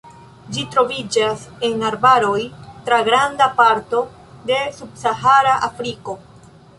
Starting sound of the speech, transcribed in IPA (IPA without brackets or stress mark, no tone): d͡ʒ